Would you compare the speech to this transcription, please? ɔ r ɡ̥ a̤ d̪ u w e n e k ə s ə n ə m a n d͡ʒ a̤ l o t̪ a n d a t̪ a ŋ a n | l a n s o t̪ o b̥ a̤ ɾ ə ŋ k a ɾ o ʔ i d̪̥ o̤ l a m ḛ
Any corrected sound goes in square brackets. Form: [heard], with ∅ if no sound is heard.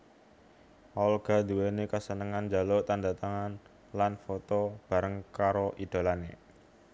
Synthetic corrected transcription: ɔ [l] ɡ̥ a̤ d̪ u w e n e k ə s ə n ə [ŋ] a n d͡ʒ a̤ l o t̪ a n d a t̪ a ŋ a n | l a n [f] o t̪ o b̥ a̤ ɾ ə ŋ k a ɾ o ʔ i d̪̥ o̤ l a [n] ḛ